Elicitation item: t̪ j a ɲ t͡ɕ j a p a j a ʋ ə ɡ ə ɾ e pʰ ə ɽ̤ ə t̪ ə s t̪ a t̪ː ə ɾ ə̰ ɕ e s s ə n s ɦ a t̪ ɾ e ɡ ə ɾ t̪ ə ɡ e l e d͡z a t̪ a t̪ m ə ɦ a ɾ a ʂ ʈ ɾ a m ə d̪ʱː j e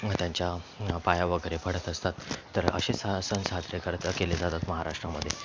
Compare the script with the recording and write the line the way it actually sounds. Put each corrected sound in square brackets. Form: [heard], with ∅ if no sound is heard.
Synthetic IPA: t̪ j a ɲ t͡ɕ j a p a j a ʋ ə ɡ ə ɾ e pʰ ə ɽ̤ ə t̪ ə s t̪ a t̪ː ə ɾ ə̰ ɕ e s s ə n s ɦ a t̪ ɾ e [k] ə ɾ t̪ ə [k] e l e d͡z a t̪ a t̪ m ə ɦ a ɾ a ʂ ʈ ɾ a m ə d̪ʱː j e